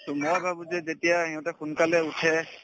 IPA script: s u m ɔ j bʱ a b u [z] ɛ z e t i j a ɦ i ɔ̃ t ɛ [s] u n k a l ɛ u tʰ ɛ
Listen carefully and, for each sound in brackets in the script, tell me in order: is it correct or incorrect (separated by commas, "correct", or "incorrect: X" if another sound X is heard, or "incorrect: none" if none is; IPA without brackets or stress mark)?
correct, incorrect: x